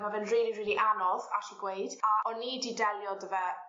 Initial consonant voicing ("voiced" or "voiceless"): voiced